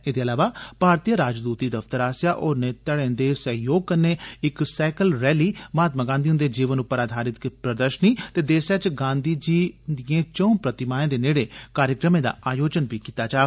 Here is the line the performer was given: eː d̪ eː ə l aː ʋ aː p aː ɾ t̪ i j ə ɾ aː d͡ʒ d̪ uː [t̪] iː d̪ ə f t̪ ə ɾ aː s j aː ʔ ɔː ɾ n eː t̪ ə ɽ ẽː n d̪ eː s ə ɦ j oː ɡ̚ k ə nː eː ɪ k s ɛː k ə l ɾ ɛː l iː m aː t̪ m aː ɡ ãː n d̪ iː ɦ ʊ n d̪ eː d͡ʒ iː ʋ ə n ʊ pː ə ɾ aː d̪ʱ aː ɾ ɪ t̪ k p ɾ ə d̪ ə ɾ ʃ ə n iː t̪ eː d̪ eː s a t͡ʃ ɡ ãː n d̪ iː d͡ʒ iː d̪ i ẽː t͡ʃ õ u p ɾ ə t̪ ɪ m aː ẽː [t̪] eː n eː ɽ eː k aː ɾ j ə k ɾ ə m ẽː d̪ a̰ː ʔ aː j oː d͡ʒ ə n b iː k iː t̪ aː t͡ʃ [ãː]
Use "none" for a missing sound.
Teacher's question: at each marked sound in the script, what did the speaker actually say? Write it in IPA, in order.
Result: t̪, d̪, aː

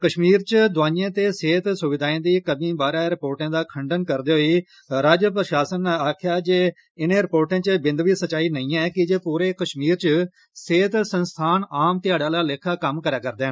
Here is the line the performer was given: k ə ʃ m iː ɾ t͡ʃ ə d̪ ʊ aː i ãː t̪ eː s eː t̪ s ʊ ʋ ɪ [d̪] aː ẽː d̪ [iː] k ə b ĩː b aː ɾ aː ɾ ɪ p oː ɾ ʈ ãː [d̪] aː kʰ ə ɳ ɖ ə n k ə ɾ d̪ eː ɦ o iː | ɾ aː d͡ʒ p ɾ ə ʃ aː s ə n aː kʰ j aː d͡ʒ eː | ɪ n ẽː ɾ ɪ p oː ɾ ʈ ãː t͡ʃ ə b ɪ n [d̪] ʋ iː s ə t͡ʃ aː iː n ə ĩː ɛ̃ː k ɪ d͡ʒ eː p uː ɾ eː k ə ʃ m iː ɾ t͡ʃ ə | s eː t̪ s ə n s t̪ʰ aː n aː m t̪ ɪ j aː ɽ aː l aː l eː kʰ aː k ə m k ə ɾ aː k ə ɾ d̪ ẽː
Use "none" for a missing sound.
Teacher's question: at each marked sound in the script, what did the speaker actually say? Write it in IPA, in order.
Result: d̪, iː, d̪, d̪

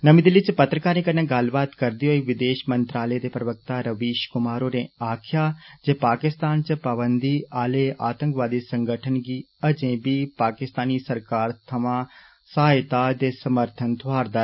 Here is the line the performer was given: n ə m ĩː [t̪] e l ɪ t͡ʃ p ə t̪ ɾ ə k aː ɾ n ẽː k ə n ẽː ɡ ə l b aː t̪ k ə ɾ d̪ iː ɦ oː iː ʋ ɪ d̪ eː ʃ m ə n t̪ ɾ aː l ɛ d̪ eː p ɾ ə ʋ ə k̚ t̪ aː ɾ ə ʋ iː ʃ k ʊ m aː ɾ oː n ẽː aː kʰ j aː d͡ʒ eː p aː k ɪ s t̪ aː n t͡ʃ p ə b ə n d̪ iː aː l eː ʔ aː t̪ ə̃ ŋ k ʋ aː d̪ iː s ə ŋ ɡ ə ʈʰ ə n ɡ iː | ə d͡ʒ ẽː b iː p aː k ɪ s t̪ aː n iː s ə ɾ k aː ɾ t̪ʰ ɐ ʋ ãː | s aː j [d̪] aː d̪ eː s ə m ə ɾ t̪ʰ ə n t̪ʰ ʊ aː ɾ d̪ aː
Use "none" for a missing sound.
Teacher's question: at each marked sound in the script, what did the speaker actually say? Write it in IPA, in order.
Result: d̪, t̪

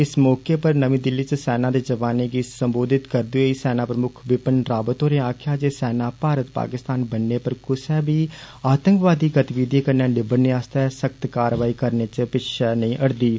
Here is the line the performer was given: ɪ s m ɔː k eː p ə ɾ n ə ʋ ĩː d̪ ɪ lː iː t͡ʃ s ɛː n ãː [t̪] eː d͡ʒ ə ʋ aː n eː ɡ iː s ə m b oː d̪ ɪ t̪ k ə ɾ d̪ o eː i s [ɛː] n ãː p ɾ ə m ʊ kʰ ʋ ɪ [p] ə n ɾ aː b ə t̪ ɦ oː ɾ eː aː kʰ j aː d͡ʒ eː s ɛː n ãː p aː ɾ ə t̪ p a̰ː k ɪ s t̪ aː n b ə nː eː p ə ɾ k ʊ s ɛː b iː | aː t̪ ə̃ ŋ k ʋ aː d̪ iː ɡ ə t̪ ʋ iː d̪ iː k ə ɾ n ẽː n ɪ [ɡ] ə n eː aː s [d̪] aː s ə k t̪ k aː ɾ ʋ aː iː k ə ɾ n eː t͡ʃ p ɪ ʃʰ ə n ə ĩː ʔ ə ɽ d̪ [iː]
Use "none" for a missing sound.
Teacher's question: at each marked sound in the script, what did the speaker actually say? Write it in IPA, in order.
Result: d̪, ɛː, p, b, t̪, iː

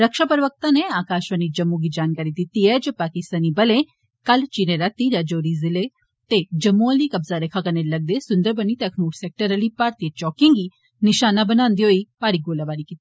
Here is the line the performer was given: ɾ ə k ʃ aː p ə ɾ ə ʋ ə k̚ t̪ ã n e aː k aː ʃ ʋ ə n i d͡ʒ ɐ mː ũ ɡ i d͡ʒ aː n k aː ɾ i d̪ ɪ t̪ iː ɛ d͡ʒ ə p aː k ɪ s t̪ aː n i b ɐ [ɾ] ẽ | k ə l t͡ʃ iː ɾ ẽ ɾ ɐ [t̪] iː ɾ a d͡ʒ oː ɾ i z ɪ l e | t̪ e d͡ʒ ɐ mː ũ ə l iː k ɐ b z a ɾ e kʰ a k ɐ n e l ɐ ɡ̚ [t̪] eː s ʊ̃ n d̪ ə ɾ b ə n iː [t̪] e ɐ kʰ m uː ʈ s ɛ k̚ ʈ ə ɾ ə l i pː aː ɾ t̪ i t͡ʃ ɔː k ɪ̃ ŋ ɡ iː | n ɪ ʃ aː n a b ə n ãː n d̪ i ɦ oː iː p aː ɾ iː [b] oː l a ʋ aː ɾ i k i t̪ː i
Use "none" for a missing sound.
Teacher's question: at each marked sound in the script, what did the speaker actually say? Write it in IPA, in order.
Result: l, t̪, d̪, t̪, ɡ

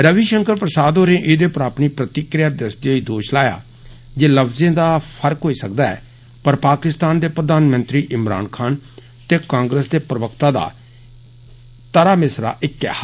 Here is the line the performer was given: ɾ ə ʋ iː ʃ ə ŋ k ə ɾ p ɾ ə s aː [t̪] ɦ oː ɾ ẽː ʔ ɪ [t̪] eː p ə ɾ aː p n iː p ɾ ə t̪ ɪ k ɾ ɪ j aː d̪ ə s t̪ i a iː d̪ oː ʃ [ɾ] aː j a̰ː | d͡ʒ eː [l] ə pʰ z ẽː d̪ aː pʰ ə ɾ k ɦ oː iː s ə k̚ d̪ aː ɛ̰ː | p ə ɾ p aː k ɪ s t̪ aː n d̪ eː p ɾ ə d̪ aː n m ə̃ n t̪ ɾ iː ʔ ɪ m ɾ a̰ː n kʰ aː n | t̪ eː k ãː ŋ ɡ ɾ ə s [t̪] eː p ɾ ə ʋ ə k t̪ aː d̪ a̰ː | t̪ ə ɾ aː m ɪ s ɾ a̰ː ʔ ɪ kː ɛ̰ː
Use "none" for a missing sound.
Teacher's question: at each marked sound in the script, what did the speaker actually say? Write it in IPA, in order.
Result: d̪, d̪, l, l, d̪

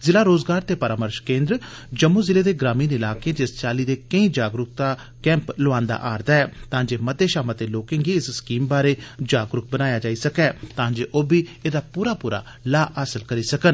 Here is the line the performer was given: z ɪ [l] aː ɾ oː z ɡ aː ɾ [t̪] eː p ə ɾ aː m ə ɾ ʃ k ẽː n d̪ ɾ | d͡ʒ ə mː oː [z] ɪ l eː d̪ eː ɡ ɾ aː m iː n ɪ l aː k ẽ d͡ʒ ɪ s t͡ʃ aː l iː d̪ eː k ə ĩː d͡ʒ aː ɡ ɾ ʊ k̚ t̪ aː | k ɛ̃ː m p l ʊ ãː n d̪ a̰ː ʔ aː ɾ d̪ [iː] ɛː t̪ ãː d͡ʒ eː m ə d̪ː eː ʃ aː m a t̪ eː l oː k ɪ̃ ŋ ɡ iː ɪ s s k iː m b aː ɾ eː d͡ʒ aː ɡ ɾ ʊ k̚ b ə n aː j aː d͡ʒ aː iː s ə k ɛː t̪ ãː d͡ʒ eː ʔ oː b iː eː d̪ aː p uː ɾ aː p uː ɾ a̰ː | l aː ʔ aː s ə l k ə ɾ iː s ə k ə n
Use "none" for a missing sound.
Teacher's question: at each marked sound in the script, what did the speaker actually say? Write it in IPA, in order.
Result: l, t̪, z, aː

